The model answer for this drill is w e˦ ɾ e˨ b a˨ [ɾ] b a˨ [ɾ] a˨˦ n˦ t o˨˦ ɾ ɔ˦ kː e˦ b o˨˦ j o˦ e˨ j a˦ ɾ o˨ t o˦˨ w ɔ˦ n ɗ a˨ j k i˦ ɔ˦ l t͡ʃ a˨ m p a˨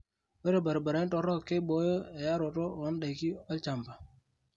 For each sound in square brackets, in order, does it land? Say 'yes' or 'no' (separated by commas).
yes, yes